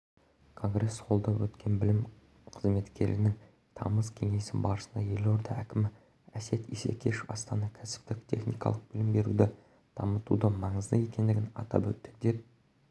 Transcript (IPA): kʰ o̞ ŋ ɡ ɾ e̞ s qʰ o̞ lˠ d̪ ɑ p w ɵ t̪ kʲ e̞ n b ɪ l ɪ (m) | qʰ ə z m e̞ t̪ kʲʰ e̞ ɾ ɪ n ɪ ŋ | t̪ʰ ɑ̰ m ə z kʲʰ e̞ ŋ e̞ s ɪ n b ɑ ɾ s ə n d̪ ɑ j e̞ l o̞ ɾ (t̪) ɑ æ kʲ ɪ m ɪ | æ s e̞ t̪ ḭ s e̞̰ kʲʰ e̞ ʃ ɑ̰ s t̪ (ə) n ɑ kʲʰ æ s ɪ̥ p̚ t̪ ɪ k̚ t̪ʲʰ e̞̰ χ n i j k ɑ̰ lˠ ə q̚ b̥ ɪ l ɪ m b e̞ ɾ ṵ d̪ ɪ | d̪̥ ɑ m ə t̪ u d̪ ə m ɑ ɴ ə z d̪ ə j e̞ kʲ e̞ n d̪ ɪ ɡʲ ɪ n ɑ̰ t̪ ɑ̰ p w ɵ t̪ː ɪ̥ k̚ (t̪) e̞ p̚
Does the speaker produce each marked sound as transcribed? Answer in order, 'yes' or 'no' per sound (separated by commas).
yes, no, no, no